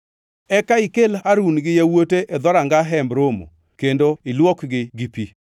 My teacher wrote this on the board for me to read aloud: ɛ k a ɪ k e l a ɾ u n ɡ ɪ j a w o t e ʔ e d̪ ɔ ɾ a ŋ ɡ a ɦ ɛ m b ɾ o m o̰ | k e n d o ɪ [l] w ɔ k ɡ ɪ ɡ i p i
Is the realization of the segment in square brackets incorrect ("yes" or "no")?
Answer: no